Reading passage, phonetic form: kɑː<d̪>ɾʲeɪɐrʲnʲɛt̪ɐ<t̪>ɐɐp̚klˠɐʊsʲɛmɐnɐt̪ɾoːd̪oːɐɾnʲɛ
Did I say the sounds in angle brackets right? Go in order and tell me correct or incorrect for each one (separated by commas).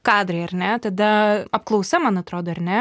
correct, incorrect